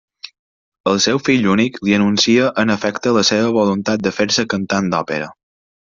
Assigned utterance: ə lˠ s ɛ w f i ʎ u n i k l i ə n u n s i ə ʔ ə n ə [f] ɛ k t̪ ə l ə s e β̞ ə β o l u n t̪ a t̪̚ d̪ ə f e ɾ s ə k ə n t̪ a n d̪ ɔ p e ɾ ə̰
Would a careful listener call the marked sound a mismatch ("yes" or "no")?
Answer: no